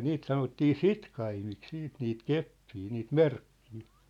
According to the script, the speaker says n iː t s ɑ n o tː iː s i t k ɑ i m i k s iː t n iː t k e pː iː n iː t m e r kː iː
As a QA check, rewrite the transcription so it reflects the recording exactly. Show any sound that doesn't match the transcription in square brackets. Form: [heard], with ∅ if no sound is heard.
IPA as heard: n iː t s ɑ n o tː iː s i t k ɑ i m i k s iː t n iː t k e pː iː n iː t m e r kː iː